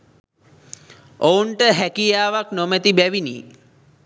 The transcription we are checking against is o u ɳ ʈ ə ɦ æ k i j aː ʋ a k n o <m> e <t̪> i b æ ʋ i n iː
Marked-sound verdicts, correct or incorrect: correct, correct

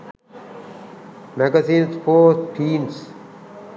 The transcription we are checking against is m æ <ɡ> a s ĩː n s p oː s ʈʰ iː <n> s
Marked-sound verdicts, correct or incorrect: correct, correct

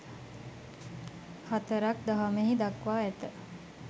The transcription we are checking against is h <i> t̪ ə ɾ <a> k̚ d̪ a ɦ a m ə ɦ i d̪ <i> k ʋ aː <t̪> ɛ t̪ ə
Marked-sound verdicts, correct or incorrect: incorrect: a, correct, incorrect: a, incorrect: none

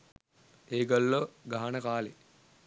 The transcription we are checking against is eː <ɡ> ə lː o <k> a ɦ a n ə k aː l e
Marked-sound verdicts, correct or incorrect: correct, incorrect: ɡ

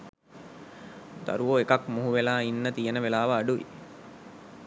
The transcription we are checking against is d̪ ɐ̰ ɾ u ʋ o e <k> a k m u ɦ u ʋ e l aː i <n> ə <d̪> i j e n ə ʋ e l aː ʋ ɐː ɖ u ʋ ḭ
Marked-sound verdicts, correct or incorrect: correct, incorrect: nː, incorrect: t̪

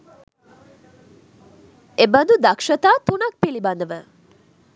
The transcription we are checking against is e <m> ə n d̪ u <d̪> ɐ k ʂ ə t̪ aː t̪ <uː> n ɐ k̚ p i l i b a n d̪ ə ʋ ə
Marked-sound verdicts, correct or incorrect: incorrect: b, correct, incorrect: u

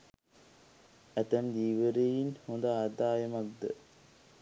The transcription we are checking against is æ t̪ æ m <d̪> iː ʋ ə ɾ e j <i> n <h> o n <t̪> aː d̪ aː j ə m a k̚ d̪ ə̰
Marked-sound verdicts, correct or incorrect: correct, correct, correct, incorrect: d̪

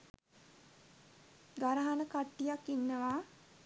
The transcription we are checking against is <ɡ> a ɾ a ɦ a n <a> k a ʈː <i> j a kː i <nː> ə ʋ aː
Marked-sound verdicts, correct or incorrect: correct, incorrect: ə, correct, correct

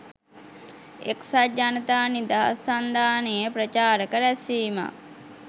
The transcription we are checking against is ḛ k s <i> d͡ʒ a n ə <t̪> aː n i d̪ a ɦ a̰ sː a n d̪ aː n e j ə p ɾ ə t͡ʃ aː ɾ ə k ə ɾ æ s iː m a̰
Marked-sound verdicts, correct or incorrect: incorrect: a, correct

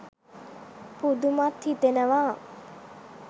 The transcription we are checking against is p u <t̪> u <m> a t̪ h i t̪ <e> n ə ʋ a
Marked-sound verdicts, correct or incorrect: incorrect: d̪, correct, correct

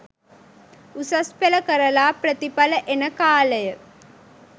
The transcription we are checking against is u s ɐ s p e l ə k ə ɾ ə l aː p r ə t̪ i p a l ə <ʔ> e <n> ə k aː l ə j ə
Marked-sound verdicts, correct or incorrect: correct, correct

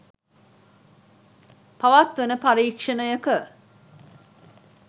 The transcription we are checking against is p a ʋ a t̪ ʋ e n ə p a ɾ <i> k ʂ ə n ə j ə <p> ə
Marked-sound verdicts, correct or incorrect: incorrect: iː, incorrect: k

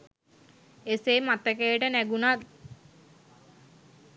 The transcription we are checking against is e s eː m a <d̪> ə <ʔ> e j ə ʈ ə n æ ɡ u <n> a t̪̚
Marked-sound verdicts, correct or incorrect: incorrect: t̪, incorrect: k, correct

